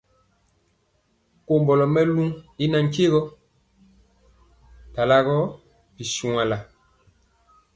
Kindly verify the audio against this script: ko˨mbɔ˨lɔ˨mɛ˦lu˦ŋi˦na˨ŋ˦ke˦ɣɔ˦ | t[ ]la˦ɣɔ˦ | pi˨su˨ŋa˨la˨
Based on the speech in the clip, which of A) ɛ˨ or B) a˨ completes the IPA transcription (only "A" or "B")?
B